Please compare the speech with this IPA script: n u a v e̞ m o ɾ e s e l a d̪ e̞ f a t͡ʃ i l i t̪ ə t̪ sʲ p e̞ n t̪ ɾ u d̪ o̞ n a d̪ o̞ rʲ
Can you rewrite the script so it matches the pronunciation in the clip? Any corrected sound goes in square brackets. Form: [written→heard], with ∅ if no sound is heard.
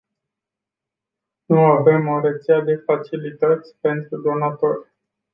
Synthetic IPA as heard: n u a v e̞ m o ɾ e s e [l→∅] a d̪ e̞ f a t͡ʃ i l i t̪ ə t̪ sʲ p e̞ n t̪ ɾ u d̪ o̞ n a [d̪→t̪] o̞ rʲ